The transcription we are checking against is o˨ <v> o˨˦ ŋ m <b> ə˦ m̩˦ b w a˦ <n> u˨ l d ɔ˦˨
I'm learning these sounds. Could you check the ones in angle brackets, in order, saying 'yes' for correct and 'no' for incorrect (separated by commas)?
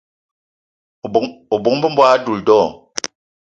no, yes, no